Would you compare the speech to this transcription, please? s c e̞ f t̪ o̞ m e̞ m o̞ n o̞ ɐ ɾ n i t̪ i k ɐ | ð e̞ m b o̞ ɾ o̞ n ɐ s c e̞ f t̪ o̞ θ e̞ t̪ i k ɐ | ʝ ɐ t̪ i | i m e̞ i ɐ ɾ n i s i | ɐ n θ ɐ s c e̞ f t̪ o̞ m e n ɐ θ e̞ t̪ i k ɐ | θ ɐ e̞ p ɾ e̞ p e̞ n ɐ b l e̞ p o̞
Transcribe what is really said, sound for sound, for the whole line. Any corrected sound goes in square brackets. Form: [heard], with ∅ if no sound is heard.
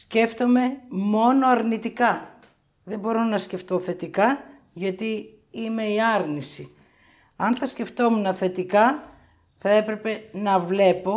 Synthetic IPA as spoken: s c e̞ f t̪ o̞ m e̞ m o̞ n o̞ ɐ ɾ n i t̪ i k ɐ | ð e̞ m b o̞ ɾ o̞ n ɐ s c e̞ f t̪ o̞ θ e̞ t̪ i k ɐ | ʝ ɐ t̪ i | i m e̞ i ɐ ɾ n i s i | ɐ n θ ɐ s c e̞ f t̪ o̞ m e n ɐ θ e̞ t̪ i k ɐ | θ ɐ e̞ p ɾ e̞ p e̞ n ɐ [v] l e̞ p o̞